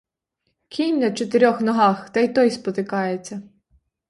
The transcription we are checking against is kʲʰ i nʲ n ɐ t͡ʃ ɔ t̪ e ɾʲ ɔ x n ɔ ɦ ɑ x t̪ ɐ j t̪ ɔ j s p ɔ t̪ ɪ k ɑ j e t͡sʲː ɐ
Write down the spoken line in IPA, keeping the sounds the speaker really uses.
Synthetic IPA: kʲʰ i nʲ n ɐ t͡ʃ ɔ t̪ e ɾʲ ɔ x n ɔ ɦ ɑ x t̪ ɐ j t̪ ɔ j s p ɔ t̪ ɪ k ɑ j e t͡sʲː ɐ